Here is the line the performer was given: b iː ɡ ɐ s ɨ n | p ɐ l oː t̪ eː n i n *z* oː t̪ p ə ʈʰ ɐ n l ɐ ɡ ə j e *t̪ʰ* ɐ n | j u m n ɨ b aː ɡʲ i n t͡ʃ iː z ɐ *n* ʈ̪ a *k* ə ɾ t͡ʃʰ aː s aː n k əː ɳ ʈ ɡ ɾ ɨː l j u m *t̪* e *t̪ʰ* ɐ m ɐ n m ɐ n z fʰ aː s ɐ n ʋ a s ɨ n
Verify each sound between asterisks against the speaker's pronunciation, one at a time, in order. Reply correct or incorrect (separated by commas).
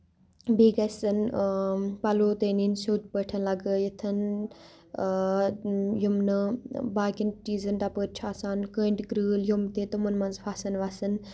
incorrect, correct, correct, incorrect, correct, incorrect